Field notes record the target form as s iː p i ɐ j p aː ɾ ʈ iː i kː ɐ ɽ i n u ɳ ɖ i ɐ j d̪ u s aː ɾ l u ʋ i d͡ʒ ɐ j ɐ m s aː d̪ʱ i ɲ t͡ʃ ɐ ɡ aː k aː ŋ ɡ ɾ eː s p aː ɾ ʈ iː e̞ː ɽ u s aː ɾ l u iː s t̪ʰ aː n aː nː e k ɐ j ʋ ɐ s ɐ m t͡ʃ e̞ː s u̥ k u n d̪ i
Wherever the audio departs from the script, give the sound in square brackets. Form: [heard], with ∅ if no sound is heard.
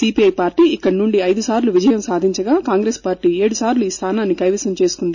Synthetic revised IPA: s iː p i ɐ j p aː ɾ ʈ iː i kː ɐ ɽ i n u ɳ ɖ i ɐ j d̪ u s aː ɾ l u ʋ i d͡ʒ ɐ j ɐ m s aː d̪ʱ i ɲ t͡ʃ ɐ ɡ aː k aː ŋ ɡ ɾ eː s p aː ɾ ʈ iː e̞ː ɽ u s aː ɾ l u iː s t̪ʰ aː n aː nː [i] k ɐ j ʋ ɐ s ɐ m t͡ʃ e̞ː s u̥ k u n d̪ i